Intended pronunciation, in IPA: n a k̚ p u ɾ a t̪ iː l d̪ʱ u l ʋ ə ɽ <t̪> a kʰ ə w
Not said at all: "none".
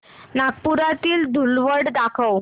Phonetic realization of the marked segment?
d̪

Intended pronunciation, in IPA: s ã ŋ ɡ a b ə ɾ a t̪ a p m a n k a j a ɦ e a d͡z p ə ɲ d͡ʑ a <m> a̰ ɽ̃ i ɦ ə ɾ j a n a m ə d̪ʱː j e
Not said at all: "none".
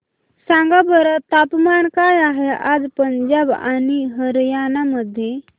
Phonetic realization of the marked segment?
b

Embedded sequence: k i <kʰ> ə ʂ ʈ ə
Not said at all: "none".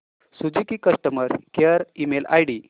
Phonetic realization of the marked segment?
k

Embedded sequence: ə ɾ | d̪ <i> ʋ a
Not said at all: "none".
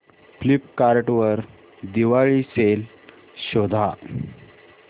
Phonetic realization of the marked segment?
i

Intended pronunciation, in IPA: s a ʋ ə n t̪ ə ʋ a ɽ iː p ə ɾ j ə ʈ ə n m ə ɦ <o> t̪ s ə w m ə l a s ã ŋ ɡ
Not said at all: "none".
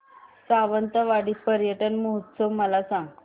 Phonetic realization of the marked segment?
u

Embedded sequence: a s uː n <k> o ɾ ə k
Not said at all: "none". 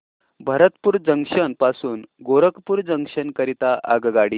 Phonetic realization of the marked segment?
ɡ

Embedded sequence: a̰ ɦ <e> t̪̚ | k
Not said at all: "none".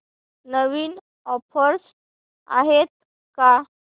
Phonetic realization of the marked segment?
e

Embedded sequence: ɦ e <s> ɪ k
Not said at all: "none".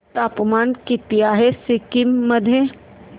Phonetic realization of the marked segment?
s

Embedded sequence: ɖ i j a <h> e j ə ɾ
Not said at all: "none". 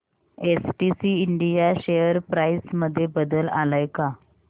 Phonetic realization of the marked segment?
ɕ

